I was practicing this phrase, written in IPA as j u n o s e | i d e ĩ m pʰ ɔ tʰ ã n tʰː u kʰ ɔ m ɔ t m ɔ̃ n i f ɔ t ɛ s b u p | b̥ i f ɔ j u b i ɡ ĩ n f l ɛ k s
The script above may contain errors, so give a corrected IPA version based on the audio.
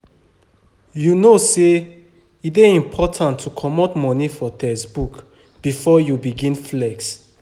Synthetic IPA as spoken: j u n o s e | i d e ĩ m pʰ ɔ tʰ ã n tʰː u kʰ ɔ m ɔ t m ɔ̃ n i f ɔ t ɛ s b u k | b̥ i f ɔ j u b i ɡ ĩ n f l ɛ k s

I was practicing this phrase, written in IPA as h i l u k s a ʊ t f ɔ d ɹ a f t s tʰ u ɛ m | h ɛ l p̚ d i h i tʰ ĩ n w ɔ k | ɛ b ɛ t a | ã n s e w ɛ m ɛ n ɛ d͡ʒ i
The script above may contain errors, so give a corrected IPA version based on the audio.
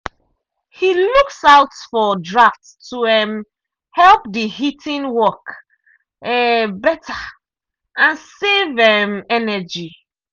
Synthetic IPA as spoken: h i l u k s a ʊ t f ɔ d ɹ a f t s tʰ u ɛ m | h ɛ l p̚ d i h i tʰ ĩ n w ɔ k | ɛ b ɛ t a | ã n s e v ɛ m ɛ n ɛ d͡ʒ i

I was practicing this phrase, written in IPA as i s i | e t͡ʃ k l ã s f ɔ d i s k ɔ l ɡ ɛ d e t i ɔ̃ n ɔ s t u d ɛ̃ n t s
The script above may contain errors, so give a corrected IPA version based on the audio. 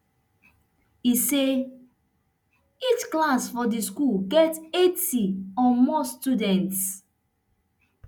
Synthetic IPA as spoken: i s e | i t͡ʃ k l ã s f ɔ d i s k u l ɡ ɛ t e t i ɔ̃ m ɔ s t u d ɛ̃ n t s

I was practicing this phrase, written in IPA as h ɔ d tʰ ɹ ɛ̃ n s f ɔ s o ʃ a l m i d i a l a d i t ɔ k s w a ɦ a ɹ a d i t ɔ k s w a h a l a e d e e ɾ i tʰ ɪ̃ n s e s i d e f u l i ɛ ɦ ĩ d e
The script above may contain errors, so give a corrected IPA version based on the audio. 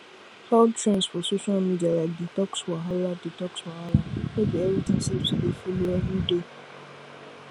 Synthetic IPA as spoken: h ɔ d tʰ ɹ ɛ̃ n s f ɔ s o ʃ a l m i d i a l a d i t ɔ k s w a ɦ a l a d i t ɔ k s w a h a l a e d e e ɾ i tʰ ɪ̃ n s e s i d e f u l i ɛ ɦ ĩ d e

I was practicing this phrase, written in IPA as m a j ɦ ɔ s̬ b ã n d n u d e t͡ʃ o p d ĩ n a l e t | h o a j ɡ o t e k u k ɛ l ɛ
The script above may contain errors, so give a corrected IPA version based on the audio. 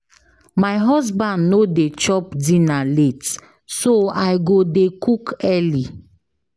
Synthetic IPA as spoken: m a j ɦ ɔ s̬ b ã n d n o d e t͡ʃ ɔ p d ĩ n a l e t | s o a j ɡ o d e k u k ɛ l i

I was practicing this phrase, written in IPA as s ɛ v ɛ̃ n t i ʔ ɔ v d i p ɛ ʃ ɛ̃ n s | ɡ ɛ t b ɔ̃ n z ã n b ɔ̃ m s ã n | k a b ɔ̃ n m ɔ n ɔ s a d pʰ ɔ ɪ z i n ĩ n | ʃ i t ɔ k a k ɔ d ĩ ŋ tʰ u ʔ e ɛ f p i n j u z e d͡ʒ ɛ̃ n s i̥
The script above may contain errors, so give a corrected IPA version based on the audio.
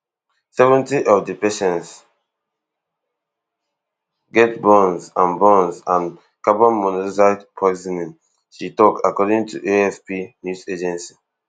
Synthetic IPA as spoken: s ɛ v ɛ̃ n t i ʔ ɔ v d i p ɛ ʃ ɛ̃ n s | ɡ ɛ t b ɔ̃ n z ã n b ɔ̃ n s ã n | k a b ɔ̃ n m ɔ n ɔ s a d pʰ ɔ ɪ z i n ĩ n | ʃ i t ɔ k a k ɔ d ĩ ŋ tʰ u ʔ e ɛ f p i n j u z e d͡ʒ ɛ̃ n s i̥

